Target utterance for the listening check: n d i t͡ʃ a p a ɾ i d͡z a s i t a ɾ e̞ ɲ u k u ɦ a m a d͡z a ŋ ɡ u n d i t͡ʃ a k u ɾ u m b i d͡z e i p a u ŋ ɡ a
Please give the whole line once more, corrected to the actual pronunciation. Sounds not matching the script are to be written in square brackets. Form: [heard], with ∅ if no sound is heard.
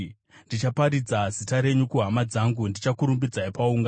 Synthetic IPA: n d i t͡ʃ a p a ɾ i d͡z a [z] i t a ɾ e̞ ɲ u k u ɦ a m a d͡z a ŋ ɡ u n d i t͡ʃ a k u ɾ u m b i d͡z [a] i p a u ŋ ɡ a